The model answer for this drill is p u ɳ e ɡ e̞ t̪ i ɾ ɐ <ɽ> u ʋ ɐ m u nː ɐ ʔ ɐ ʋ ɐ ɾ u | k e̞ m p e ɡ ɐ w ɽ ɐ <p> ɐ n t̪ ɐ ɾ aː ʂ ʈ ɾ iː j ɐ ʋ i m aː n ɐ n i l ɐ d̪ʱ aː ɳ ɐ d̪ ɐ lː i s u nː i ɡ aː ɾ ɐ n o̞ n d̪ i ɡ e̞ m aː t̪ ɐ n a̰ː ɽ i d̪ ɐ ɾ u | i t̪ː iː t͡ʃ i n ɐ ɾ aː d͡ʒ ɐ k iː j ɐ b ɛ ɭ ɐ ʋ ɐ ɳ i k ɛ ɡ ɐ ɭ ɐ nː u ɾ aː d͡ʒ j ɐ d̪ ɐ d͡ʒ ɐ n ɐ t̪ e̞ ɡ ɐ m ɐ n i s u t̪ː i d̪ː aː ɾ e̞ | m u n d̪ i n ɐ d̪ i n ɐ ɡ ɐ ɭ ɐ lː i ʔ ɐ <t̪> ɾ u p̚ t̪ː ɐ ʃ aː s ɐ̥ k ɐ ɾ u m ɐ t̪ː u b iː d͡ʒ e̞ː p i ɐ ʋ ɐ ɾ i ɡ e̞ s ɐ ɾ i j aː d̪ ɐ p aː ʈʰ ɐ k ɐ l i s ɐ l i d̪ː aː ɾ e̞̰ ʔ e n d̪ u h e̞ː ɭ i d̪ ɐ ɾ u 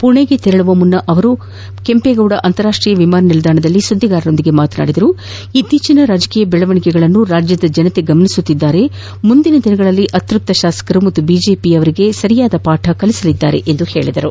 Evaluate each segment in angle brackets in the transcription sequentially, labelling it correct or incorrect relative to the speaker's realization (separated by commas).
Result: incorrect, incorrect, correct